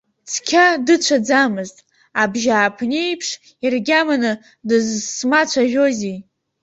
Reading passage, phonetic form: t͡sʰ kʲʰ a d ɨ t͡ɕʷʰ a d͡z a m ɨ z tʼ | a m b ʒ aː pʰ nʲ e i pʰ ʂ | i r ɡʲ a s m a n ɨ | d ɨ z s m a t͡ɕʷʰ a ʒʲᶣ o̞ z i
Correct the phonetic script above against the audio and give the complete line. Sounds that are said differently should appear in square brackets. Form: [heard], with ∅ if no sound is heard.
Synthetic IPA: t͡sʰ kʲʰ a d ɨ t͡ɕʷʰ a d͡z a m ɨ z tʼ | a [∅] b ʒ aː pʰ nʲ e [j] pʰ ʂ | i r ɡʲ a [∅] m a n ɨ | d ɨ z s m a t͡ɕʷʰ a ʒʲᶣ o̞ z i